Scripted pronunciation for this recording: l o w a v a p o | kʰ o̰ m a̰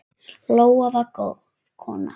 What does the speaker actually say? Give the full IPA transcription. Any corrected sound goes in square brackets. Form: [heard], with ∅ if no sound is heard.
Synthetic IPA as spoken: l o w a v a [k] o | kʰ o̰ [n] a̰